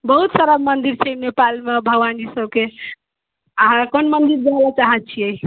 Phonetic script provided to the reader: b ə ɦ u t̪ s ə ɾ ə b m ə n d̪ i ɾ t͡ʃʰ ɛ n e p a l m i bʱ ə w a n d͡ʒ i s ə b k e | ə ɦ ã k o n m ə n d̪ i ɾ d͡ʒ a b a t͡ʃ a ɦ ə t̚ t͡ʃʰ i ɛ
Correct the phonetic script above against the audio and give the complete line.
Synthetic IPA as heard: b ə ɦ u t̪ s ə ɾ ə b m ə n d̪ i ɾ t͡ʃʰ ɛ n e p a l m e bʱ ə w a n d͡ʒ i s ə b k e | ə ɦ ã k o n m ə n d̪ i ɾ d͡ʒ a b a t͡ʃ a ɦ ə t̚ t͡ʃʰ i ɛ